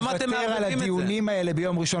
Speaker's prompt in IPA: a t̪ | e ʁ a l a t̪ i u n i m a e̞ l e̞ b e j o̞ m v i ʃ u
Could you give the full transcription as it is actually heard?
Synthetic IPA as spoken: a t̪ | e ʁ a l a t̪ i u n i m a e̞ l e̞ b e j o̞ m ʁ i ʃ o